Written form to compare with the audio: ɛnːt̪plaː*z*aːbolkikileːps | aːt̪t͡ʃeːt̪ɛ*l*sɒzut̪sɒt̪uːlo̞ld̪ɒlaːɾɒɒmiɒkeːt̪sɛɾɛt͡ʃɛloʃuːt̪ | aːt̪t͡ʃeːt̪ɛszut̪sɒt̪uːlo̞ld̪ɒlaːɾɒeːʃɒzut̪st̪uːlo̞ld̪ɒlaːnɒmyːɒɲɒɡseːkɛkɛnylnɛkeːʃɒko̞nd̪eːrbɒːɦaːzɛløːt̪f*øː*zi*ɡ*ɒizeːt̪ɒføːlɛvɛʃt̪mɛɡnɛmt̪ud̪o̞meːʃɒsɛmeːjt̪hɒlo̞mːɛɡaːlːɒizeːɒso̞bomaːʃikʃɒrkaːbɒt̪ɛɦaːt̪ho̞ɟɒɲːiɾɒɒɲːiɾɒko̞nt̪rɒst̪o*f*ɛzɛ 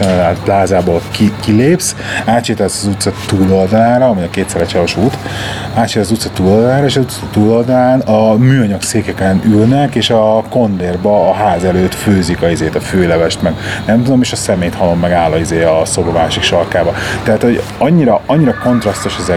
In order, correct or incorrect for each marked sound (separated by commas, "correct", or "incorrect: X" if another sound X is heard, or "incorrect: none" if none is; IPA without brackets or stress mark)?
correct, correct, correct, incorrect: k, incorrect: ʃ